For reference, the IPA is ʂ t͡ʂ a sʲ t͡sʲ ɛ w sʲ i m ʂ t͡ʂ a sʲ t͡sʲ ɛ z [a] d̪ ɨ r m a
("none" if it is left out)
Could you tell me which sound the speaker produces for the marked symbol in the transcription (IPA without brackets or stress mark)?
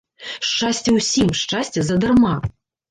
ɐ